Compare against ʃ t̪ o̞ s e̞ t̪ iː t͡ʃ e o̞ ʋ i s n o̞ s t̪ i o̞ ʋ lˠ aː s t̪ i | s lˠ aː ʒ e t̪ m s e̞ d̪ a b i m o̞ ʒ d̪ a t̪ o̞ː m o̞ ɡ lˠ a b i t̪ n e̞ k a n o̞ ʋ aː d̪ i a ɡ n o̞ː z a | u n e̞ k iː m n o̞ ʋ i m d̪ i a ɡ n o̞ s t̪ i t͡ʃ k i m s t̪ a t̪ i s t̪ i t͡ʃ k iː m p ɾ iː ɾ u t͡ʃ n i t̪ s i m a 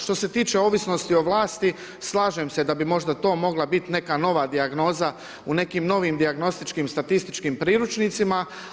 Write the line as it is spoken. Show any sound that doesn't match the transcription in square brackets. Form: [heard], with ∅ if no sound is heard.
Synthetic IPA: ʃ t̪ o̞ s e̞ t̪ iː t͡ʃ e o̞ ʋ i s n o̞ s t̪ i o̞ ʋ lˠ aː s t̪ i | s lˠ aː ʒ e [∅] m s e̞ d̪ a b i m o̞ ʒ d̪ a t̪ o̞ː m o̞ ɡ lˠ a b i t̪ n e̞ k a n o̞ ʋ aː d̪ i a ɡ n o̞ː z a | u n e̞ k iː m n o̞ ʋ i m d̪ i a ɡ n o̞ s t̪ i t͡ʃ k i m s t̪ a t̪ i s t̪ i t͡ʃ k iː m p ɾ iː ɾ u t͡ʃ n i t̪ s i m a